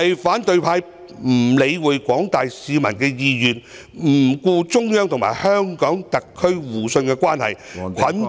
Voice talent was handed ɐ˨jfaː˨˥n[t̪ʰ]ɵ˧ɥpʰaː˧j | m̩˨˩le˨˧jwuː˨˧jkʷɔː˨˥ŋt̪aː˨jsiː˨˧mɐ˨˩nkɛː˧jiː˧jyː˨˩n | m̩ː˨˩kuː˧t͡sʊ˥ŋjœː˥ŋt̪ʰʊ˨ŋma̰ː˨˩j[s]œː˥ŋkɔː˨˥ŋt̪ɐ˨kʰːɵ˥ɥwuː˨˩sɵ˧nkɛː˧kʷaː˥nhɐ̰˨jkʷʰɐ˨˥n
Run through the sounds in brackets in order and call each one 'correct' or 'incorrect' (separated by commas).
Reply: incorrect, incorrect